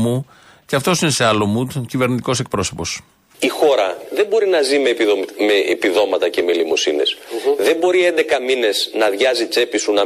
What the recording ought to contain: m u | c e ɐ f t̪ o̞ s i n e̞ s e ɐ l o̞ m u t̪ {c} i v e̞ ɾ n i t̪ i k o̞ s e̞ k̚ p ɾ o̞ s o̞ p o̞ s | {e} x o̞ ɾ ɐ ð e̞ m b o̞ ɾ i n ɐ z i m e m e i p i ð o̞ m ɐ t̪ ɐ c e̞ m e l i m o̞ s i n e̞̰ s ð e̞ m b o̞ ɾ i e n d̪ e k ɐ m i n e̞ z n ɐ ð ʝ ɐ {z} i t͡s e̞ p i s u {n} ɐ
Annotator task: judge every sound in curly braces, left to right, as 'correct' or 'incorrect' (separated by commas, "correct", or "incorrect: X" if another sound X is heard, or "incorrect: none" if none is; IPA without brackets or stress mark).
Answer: correct, incorrect: i, correct, correct